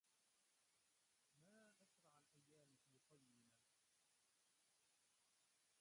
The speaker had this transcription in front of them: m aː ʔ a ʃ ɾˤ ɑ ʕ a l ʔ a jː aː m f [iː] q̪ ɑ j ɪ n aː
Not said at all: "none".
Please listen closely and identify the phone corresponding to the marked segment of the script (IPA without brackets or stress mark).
iː